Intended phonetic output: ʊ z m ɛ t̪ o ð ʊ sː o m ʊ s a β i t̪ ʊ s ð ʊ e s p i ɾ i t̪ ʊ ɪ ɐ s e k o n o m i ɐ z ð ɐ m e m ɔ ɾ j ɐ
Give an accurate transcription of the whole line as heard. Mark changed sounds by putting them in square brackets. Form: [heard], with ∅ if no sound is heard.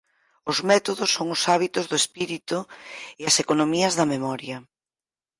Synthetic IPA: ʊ z m ɛ t̪ o ð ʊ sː o [ŋ] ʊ s a β i t̪ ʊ [z] ð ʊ e s p i ɾ i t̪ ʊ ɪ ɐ s e k o n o m i ɐ z ð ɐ m e m ɔ ɾ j ɐ